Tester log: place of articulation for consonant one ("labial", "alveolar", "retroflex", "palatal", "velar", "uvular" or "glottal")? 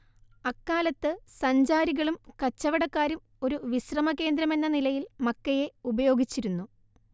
velar